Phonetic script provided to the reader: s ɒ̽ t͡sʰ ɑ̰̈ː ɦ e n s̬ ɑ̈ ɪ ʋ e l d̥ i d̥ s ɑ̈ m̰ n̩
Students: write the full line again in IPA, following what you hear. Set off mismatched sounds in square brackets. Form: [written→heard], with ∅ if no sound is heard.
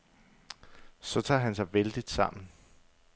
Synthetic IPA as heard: s ɒ̽ t͡sʰ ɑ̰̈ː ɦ [e→æ] n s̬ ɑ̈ ɪ ʋ e l d̥ i d̥ s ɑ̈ m̰ n̩